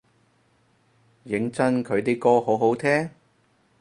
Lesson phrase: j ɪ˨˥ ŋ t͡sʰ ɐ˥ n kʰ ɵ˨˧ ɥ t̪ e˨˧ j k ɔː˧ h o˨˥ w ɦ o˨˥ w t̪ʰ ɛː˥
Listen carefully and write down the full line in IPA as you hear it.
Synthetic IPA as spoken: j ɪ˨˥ ŋ t͡s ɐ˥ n kʰ ɵ˨˧ ɥ t̪ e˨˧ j k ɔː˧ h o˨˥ w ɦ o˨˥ w t̪ʰ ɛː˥